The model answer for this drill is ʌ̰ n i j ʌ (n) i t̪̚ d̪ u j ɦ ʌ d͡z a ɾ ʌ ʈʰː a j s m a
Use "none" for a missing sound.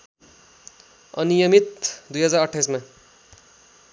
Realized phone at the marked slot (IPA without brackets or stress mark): m